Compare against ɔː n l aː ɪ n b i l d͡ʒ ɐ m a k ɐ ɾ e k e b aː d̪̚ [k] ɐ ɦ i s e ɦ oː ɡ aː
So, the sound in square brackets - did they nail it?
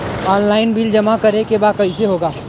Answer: yes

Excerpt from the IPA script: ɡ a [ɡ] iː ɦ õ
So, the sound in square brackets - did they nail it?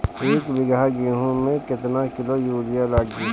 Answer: yes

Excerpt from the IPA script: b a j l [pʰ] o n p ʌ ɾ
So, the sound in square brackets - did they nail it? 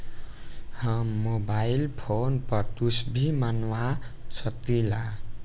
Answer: yes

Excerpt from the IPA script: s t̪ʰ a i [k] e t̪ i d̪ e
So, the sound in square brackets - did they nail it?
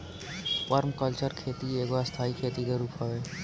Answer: no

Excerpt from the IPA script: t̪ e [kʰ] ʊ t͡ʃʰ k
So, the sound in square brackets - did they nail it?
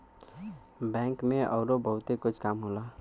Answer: no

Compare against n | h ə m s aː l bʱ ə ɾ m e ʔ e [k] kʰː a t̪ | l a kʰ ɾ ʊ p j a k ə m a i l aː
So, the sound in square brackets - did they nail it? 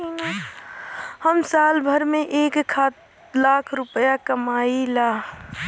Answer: yes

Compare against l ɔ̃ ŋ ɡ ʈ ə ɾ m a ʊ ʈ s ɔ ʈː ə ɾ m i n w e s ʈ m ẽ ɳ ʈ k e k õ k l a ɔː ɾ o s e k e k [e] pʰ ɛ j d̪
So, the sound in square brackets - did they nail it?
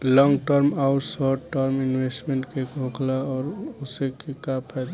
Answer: no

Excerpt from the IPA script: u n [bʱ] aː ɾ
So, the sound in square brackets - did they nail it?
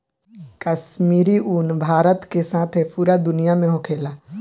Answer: yes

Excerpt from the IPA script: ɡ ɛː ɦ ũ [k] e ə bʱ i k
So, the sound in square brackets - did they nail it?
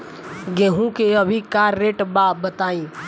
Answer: yes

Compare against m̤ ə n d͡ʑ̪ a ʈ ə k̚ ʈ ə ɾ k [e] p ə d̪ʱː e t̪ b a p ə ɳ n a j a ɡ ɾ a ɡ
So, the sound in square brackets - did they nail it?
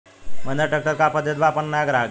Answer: no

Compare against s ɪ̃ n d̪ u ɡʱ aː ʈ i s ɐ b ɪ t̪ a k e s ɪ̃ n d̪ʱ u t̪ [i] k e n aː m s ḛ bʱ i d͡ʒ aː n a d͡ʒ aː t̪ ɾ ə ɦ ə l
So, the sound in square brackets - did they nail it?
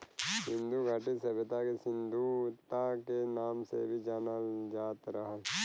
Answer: no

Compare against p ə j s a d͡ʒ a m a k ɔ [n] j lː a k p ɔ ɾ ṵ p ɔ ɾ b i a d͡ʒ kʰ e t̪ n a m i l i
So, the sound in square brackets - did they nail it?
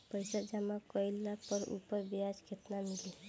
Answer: no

